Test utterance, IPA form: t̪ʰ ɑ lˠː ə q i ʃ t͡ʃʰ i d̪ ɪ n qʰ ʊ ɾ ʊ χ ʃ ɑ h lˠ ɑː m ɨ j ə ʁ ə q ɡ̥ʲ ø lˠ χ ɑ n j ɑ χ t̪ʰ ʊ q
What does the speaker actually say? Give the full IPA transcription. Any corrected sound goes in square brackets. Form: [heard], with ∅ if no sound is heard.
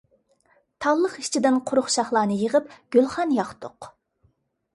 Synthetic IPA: t̪ʰ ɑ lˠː ə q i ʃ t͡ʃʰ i d̪ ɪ n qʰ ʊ ɾ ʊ χ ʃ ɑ [χ] lˠ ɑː [n] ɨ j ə ʁ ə [p] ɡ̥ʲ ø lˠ χ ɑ n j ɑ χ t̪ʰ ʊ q